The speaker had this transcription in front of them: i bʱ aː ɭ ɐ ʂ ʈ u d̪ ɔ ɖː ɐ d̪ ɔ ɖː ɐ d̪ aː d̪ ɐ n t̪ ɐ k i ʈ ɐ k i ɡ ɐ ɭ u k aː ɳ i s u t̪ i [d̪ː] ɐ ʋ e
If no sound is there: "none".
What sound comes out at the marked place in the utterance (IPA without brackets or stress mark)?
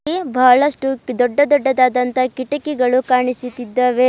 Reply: d̪ː